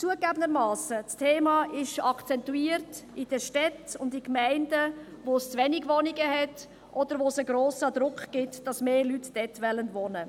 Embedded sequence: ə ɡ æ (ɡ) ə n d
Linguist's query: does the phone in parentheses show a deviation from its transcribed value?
yes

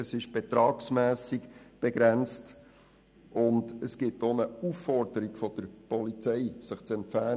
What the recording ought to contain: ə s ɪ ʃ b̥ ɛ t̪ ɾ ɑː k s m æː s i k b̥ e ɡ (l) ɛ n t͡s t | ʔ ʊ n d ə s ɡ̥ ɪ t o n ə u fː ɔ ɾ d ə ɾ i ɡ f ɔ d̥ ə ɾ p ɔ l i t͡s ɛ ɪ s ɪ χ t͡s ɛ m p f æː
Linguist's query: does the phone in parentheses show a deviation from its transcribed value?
yes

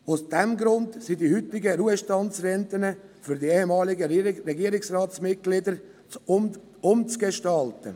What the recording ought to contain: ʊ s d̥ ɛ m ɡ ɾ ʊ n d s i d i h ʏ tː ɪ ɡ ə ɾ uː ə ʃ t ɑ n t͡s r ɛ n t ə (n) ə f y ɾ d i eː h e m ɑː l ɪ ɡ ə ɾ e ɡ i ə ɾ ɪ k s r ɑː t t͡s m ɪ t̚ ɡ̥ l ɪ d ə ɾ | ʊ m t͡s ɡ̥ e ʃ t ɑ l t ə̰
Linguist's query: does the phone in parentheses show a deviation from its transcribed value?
no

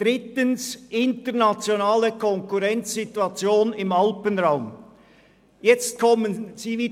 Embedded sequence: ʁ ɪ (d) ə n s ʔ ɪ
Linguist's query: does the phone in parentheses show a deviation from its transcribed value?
yes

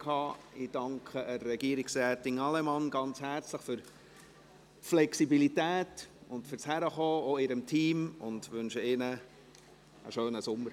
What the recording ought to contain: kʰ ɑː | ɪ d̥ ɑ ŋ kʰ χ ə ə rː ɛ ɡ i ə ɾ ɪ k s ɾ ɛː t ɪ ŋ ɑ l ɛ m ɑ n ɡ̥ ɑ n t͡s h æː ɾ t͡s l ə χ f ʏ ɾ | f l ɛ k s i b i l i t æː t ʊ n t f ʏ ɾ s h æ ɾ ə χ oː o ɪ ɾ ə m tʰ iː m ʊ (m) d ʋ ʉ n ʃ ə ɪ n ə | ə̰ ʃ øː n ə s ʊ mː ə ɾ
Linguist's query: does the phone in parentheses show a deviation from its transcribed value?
yes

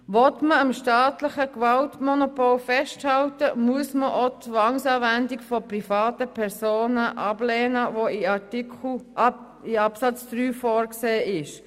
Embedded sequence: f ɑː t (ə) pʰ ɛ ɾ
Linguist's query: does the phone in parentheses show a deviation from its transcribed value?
no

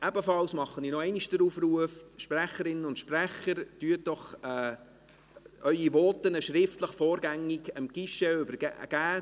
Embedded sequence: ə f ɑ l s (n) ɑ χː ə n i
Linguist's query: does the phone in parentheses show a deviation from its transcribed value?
yes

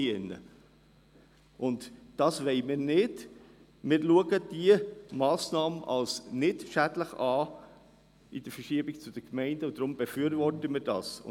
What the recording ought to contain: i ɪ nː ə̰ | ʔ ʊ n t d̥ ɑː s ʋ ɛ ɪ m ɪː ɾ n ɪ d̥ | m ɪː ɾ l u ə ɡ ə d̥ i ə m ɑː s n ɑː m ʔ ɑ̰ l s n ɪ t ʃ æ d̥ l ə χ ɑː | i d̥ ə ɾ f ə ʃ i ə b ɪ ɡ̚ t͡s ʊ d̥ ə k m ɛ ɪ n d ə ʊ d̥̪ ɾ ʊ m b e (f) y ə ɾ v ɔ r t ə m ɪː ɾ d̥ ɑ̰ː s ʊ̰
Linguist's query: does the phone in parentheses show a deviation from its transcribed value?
no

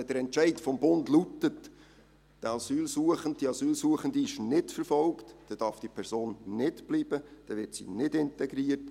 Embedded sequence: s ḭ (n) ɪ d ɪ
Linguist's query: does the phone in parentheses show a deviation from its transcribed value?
no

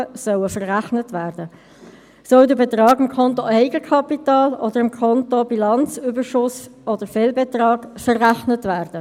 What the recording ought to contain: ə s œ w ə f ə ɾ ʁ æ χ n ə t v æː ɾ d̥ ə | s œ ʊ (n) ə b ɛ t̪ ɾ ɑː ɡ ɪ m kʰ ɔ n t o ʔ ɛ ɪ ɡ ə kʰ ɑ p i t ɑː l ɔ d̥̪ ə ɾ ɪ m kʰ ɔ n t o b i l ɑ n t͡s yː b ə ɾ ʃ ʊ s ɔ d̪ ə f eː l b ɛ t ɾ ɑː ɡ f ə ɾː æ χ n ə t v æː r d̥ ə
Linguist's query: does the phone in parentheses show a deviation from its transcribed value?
yes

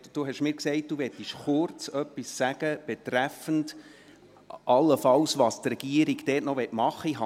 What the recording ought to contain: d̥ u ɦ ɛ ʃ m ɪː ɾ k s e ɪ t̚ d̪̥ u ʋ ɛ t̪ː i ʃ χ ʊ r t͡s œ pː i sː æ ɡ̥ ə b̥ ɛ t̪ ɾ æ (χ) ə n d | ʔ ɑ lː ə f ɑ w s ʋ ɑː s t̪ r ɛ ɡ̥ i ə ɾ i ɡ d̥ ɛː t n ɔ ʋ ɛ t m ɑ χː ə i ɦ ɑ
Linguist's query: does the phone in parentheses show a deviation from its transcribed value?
yes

